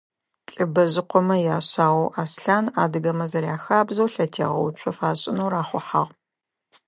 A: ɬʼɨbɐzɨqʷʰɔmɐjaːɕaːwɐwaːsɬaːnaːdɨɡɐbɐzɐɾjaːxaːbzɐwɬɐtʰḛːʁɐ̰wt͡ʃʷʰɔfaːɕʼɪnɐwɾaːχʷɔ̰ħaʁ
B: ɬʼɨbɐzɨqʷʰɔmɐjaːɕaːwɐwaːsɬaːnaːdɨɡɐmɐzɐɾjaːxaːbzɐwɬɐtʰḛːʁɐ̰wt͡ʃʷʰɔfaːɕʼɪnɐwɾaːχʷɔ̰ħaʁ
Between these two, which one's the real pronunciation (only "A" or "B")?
B